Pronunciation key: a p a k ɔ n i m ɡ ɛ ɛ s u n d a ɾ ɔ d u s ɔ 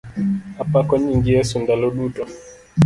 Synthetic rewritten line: a p a k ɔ ɲ i ŋ ɡ i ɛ s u n d a l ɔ ɗ u t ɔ